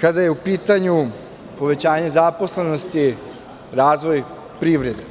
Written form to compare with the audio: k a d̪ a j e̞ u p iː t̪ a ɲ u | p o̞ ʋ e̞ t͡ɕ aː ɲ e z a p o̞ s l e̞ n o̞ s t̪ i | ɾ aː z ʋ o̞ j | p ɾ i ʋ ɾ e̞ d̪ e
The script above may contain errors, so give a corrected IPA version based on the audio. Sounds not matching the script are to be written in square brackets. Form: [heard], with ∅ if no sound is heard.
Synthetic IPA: k a d̪ a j e̞ u p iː t̪ a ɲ u | p o̞ ʋ e̞ t͡ɕ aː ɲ e z a p o̞ s l e̞ n o̞ s t̪ i | ɾ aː z ʋ o̞ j | p ɾ i ʋ ɾ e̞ d̪ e

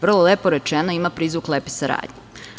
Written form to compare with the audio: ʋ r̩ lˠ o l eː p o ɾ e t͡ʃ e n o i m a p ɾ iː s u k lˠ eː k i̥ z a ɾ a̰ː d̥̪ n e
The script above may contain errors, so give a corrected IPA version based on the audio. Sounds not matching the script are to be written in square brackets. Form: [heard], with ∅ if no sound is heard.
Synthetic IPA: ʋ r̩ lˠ o l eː p o ɾ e t͡ʃ e n o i m a p ɾ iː [z] u k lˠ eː [p] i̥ [s] a ɾ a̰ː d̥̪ [ɲ] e

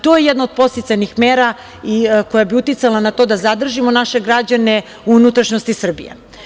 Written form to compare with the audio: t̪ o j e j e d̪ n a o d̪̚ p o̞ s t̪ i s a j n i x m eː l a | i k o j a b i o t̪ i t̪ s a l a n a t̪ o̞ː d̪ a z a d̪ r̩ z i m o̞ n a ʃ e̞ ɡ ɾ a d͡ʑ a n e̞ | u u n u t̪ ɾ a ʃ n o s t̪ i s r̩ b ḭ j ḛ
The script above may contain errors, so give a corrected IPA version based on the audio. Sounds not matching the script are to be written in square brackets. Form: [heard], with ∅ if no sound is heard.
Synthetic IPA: t̪ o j e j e d̪ n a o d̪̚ p o̞ s t̪ i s a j n i x m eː [ɾ] a | i k o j a b i [u] t̪ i t̪ s a l a n a t̪ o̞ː d̪ a z a d̪ r̩ [ʒ] i m o̞ n a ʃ e̞ ɡ ɾ a d͡ʑ a n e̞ | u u n u t̪ ɾ a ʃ n o s t̪ i s r̩ b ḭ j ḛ

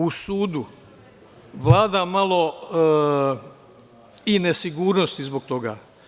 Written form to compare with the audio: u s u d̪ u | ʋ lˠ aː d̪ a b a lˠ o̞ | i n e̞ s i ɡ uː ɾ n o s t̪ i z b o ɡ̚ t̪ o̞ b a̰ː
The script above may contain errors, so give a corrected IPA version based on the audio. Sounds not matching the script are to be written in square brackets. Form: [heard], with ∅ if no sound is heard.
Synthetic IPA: u s [uː] d̪ u | ʋ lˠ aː d̪ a [m] a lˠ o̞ | i n e̞ s i ɡ uː ɾ n o s t̪ i z b o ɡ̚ t̪ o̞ [ɡ] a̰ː

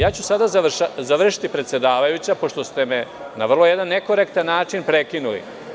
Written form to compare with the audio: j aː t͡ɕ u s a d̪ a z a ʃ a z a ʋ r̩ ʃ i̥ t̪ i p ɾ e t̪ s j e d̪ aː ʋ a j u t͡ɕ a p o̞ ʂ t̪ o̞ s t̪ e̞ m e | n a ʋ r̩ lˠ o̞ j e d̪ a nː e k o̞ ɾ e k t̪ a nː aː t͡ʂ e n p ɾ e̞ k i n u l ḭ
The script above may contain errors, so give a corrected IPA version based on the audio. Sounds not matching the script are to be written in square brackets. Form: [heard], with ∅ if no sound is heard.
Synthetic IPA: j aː t͡ɕ u s a d̪ a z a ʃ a z a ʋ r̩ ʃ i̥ t̪ i p ɾ e t̪ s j e d̪ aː ʋ a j u t͡ɕ a p o̞ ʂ t̪ o̞ s t̪ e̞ m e | n a ʋ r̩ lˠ o̞ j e d̪ a nː e k o̞ ɾ e k t̪ a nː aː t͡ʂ [i] n p ɾ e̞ k i n u l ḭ

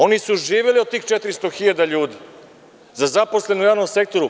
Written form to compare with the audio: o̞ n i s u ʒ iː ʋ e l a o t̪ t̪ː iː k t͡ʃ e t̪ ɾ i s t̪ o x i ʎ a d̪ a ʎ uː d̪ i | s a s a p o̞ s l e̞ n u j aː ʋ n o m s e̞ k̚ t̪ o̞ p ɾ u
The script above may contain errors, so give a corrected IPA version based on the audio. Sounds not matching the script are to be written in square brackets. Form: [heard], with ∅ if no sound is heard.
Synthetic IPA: o̞ n i s u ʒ iː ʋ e l [i] o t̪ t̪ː iː [x] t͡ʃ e t̪ ɾ i s t̪ o x i ʎ a d̪ a ʎ uː d̪ i | [z] a [z] a p o̞ s l e̞ n u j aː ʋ n o m s e̞ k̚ t̪ o̞ [∅] ɾ u

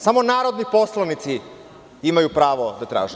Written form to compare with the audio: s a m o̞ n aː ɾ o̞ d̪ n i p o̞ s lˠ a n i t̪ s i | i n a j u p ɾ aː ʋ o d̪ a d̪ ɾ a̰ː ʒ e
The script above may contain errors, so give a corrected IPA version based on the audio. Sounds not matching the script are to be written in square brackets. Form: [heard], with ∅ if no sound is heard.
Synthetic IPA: s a m o̞ n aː ɾ o̞ d̪ n i p o̞ s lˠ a n i t̪ s i | i [m] a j u p ɾ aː ʋ o d̪ a [t̪] ɾ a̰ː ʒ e

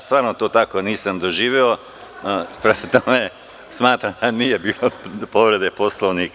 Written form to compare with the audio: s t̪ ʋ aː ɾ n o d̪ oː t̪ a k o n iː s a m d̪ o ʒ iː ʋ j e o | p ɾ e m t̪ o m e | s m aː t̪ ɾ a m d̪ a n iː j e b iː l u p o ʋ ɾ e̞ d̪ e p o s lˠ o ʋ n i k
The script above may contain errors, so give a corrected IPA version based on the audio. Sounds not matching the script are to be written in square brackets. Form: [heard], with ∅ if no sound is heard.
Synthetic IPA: s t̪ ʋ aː ɾ n o [t̪] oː t̪ a k o n iː s a m d̪ o ʒ iː ʋ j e o | p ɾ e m t̪ o m e | s m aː t̪ ɾ a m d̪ a n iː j e b iː l [o] p o ʋ ɾ e̞ d̪ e p o s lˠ o ʋ n i k

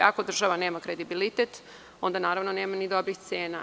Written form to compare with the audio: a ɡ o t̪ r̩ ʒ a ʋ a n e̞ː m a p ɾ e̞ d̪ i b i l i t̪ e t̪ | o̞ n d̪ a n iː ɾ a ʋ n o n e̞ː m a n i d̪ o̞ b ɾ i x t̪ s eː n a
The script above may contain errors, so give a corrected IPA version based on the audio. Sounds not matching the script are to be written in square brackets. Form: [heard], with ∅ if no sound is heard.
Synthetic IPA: a [k] o [d̪] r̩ ʒ a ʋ a n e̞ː m a [k] ɾ e̞ d̪ i b i l i t̪ e t̪ | o̞ n d̪ a n [aː] ɾ a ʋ n o n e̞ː m a n i d̪ o̞ b ɾ i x t̪ s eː n a

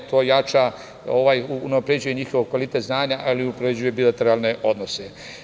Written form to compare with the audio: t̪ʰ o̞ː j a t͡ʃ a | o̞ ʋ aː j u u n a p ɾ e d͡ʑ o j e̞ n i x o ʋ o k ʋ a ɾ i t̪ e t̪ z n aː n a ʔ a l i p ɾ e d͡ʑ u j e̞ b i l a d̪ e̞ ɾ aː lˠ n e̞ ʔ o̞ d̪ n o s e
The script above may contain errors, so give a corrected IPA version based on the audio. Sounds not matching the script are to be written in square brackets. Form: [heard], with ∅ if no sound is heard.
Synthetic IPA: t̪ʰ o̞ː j a t͡ʃ a | o̞ ʋ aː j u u n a p ɾ e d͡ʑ [u] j e̞ [ɲ] i x o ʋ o k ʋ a [l] i t̪ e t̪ z n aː [ɲ] a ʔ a l i p ɾ e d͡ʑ u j e̞ b i l a [t̪] e̞ ɾ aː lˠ n e̞ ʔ o̞ d̪ n o s e

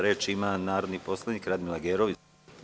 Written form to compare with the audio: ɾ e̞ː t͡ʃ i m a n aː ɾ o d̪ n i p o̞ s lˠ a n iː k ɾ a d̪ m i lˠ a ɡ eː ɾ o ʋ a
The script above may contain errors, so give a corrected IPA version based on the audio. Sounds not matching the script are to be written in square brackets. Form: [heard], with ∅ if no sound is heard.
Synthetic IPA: ɾ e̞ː t͡ʃ i m a n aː ɾ o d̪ n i p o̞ s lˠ a n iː k ɾ a d̪ m i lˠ a ɡ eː ɾ o ʋ [i]

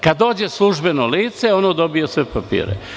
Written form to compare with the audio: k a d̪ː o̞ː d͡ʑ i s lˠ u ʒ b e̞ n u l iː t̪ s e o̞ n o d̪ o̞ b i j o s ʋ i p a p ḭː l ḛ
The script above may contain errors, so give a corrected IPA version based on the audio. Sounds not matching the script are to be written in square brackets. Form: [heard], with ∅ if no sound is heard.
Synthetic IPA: k a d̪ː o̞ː d͡ʑ [e] s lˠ u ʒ b e̞ n [o] l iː t̪ s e o̞ n o d̪ o̞ b i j o s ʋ [e] p a p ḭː [ɾ] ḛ

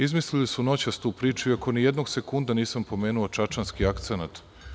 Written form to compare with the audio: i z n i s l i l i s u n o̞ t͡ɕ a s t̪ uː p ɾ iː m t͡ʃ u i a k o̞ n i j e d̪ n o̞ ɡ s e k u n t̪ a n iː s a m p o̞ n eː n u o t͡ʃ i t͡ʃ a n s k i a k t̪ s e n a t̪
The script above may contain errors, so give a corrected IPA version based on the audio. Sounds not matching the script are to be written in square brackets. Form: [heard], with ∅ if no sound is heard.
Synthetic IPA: i z [m] i s l i l i s u n o̞ t͡ɕ a s t̪ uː p ɾ iː [∅] t͡ʃ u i a k o̞ n i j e d̪ n o̞ ɡ s e k u n [d̪] a n iː s a m p o̞ [m] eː n u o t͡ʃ [a] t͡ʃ a n s k i a k t̪ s e n a t̪

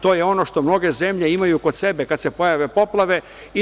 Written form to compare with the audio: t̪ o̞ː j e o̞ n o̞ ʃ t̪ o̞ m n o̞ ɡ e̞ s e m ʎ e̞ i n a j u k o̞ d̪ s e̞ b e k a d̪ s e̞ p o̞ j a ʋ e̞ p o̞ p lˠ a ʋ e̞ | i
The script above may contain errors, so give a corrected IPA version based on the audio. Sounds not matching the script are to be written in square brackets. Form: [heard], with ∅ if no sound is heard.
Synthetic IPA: t̪ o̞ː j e o̞ n o̞ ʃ t̪ o̞ m n o̞ ɡ e̞ [z] e m ʎ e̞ i [m] a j u k o̞ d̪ s e̞ b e k a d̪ s e̞ p o̞ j a ʋ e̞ p o̞ p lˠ a ʋ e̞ | i

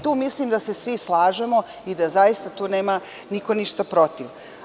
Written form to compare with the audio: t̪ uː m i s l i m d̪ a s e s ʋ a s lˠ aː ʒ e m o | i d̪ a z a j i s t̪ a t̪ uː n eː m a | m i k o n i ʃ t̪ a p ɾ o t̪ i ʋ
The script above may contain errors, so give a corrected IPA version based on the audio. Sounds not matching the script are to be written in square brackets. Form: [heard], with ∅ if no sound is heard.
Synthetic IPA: t̪ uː m i s l i m d̪ a s e s ʋ [i] s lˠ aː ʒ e m o | i d̪ a z a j i s t̪ a t̪ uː n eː m a | [n] i k o n i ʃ t̪ a p ɾ o t̪ i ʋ

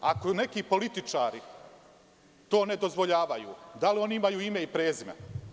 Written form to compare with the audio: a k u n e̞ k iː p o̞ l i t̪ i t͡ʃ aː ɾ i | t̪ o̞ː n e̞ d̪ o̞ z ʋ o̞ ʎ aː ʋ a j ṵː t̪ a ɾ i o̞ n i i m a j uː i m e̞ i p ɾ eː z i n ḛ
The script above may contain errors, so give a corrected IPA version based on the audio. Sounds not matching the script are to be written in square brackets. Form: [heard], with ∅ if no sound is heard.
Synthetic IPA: a k [o] n e̞ k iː p o̞ l i t̪ i t͡ʃ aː ɾ i | t̪ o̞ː n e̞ d̪ o̞ z ʋ o̞ ʎ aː ʋ a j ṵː [d̪] a [l] i o̞ n i i m a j uː i m e̞ i p ɾ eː z i [m] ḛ

